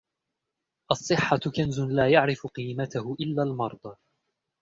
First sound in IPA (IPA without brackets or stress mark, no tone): ʔ